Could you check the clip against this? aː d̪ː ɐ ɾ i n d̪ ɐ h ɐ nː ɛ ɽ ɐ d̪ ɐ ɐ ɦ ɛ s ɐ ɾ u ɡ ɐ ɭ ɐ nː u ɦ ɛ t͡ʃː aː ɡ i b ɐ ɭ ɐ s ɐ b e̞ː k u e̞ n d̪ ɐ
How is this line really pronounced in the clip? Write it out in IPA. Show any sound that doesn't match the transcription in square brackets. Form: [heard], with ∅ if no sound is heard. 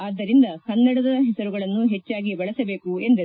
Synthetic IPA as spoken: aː d̪ː ɐ ɾ i n d̪ ɐ h ɐ nː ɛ ɽ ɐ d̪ ɐ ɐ ɦ ɛ s ɐ ɾ u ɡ ɐ ɭ ɐ nː u ɦ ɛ t͡ʃː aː ɡ i b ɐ ɭ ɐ s ɐ b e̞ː k u e̞ n d̪ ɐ